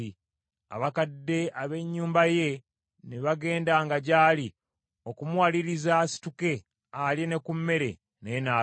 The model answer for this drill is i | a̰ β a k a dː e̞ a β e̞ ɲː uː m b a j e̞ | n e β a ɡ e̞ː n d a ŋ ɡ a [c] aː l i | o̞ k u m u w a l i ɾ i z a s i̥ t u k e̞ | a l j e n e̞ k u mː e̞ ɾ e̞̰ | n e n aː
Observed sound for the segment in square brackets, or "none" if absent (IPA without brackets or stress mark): ɟ